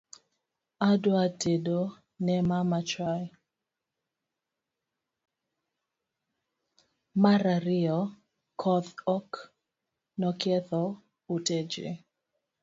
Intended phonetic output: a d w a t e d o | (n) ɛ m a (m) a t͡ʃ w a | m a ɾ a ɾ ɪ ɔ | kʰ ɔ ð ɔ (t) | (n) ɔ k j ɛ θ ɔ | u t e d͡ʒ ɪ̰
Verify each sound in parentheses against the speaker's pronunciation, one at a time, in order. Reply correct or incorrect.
correct, correct, incorrect, correct

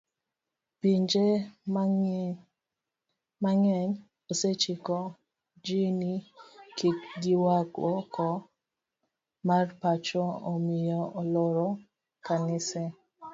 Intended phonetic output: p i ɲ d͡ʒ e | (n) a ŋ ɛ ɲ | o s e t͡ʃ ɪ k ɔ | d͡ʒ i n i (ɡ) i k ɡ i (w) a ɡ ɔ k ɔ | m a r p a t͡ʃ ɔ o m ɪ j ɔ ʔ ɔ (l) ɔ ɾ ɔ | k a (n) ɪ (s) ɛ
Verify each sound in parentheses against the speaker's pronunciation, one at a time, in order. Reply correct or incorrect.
incorrect, incorrect, correct, correct, correct, correct

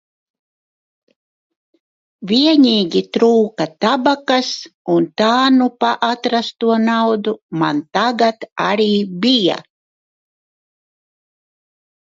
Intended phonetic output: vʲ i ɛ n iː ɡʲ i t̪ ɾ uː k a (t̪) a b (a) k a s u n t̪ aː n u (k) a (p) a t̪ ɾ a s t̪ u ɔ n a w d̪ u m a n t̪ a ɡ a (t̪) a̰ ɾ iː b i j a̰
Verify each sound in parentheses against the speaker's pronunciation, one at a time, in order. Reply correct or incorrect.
correct, correct, incorrect, incorrect, correct

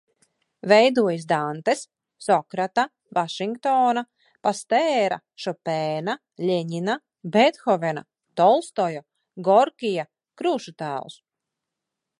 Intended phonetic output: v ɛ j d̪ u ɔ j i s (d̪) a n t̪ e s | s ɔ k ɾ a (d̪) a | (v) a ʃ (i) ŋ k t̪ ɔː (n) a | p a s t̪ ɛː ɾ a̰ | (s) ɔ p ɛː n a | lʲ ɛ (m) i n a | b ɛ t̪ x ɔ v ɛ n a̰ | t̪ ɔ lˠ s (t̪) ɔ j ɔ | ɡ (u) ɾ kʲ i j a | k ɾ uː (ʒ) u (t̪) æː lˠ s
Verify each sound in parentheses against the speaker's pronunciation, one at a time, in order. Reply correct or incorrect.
correct, incorrect, correct, correct, correct, incorrect, incorrect, correct, incorrect, incorrect, correct

